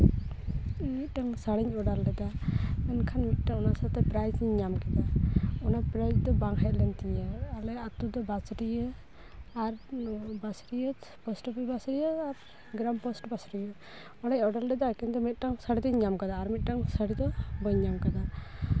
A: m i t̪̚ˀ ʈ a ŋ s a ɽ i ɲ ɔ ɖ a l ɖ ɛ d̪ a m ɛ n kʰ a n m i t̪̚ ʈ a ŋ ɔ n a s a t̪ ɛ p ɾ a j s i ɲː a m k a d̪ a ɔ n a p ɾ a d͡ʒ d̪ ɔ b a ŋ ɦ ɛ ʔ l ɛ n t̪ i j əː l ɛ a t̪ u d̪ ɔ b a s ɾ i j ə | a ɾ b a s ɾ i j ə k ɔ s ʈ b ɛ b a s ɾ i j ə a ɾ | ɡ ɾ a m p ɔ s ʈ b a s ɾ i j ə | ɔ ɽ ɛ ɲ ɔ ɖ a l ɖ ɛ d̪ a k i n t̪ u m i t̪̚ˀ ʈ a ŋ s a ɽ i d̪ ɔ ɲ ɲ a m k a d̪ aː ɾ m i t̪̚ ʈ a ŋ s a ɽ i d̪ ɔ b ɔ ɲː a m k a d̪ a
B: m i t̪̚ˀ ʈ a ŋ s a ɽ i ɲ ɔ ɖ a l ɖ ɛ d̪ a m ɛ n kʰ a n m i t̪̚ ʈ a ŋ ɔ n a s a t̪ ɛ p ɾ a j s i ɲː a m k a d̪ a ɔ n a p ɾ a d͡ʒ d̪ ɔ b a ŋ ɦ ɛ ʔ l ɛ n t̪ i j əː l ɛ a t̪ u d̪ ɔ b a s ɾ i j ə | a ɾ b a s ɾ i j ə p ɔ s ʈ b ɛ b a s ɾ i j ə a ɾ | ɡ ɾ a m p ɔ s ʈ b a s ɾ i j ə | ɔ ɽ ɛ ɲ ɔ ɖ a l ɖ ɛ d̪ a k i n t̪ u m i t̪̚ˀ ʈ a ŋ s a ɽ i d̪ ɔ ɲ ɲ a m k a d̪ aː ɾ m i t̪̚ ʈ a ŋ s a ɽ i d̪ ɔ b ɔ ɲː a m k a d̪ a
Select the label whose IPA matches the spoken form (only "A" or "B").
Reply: B